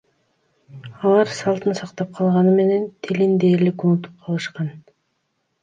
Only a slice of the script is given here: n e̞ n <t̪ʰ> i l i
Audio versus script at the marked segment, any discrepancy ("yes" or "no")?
no